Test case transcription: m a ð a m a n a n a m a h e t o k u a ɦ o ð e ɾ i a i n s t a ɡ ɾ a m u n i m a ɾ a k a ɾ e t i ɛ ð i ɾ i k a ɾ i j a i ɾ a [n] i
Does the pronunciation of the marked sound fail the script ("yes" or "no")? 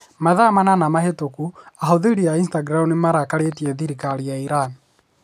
no